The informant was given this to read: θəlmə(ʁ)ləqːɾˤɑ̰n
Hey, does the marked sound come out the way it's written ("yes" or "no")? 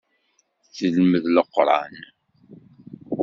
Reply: no